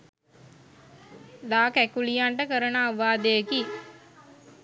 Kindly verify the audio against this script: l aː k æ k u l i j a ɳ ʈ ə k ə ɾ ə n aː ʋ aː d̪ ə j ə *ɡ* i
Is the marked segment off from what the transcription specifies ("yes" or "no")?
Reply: yes